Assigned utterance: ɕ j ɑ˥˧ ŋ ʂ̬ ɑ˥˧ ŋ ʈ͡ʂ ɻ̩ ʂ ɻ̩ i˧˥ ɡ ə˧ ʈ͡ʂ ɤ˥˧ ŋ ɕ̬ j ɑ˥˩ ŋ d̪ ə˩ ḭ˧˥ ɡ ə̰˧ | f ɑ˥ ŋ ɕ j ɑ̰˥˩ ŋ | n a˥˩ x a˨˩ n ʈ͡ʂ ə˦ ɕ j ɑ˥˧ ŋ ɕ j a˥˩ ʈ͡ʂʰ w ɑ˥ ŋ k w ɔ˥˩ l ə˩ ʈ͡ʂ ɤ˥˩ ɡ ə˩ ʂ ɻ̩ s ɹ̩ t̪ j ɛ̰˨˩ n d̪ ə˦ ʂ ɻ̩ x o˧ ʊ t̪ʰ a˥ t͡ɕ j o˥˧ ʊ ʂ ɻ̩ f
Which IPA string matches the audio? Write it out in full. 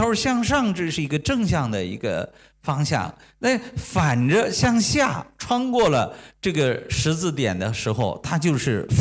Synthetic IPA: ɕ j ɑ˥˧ ŋ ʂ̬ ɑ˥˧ ŋ ʈ͡ʂ ɻ̩ ʂ ɻ̩ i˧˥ ɡ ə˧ ʈ͡ʂ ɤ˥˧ ŋ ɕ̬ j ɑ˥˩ ŋ d̪ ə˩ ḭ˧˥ ɡ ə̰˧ | f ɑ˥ ŋ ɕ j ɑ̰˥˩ ŋ | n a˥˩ f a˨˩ n ʈ͡ʂ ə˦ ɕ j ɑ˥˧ ŋ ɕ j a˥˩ ʈ͡ʂʰ w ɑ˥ ŋ k w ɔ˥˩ l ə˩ ʈ͡ʂ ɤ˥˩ ɡ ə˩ ʂ ɻ̩ t͡s ɹ̩ t̪ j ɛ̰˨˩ n d̪ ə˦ ʂ ɻ̩ x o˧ ʊ t̪ʰ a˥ t͡ɕ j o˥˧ ʊ ʂ ɻ̩ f